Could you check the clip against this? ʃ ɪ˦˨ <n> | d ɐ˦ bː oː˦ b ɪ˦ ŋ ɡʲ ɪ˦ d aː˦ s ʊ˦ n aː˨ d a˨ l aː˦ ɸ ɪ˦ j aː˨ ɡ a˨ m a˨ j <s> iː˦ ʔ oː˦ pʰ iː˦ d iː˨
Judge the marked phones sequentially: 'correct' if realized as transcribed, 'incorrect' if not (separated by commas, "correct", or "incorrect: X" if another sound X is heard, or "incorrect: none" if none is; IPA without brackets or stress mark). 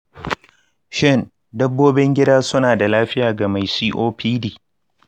correct, correct